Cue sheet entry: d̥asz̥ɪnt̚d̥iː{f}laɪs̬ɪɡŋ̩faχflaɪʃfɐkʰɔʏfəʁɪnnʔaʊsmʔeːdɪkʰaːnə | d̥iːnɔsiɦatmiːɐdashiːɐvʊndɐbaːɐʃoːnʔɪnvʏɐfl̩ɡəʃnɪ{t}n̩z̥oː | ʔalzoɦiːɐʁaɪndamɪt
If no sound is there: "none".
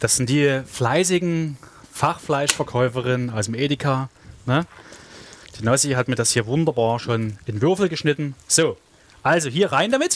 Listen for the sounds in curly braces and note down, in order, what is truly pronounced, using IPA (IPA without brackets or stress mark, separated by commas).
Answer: f, t